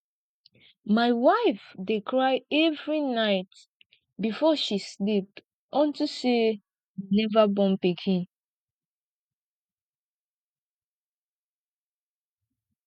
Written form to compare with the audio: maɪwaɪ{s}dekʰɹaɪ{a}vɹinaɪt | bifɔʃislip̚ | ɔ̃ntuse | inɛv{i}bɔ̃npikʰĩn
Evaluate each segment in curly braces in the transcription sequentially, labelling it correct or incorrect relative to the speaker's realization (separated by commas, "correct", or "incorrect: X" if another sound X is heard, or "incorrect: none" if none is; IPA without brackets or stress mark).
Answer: incorrect: f, incorrect: ɛ, incorrect: a